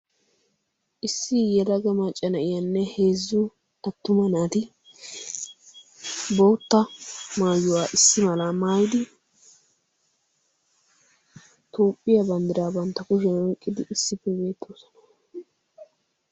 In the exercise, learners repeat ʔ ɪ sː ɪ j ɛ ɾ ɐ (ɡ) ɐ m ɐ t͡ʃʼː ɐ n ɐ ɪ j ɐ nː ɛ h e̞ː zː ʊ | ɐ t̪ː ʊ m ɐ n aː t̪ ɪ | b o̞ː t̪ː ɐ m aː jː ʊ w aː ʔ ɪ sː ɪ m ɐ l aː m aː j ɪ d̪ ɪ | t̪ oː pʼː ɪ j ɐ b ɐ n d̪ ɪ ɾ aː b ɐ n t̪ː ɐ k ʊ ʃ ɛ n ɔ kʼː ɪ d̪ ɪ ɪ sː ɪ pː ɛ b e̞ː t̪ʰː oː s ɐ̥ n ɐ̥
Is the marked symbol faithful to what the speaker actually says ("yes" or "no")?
yes